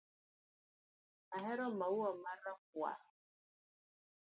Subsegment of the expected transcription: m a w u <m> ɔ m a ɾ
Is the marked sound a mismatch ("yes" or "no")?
yes